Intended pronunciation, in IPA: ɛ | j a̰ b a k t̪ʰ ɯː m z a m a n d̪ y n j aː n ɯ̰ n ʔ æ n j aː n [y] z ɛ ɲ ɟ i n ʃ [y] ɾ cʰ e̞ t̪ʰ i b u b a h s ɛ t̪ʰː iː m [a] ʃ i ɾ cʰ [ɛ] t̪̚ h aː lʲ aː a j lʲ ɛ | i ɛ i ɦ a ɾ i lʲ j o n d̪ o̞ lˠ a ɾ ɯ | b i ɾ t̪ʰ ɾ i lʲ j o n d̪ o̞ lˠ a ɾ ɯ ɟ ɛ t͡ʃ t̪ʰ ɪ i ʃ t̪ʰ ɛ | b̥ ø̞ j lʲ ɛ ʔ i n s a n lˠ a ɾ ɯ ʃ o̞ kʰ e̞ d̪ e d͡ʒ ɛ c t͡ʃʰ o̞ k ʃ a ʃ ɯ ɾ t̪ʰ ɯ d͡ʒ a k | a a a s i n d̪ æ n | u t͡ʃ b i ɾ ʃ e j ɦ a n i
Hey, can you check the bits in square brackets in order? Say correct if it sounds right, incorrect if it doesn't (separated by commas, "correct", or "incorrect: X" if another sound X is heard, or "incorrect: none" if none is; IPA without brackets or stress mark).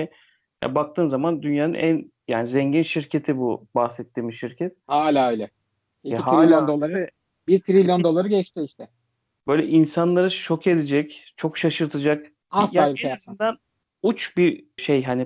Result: incorrect: i, incorrect: i, incorrect: i, correct